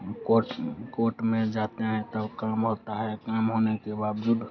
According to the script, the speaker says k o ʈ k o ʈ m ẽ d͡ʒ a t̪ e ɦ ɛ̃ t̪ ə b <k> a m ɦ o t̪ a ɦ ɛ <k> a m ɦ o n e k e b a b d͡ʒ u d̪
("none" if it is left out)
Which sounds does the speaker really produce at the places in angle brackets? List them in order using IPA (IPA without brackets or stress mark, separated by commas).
k, k